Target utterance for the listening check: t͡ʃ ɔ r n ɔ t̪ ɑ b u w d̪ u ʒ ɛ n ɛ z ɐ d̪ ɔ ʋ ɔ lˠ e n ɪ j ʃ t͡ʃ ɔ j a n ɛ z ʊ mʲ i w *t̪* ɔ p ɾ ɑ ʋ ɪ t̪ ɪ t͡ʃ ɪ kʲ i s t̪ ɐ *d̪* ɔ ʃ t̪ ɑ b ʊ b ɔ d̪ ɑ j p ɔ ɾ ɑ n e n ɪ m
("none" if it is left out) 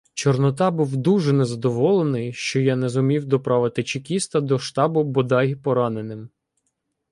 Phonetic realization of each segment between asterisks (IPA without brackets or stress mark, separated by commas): d̪, d̪